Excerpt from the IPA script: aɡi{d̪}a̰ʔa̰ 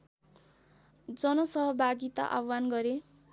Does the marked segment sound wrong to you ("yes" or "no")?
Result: yes